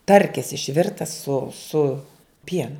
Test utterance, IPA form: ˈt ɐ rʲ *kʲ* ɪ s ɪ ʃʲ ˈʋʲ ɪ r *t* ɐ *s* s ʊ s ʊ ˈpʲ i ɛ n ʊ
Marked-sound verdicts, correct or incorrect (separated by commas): correct, correct, correct